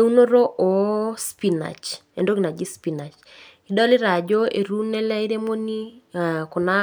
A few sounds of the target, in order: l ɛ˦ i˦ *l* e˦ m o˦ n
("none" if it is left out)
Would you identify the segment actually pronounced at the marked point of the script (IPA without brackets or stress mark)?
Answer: ɾ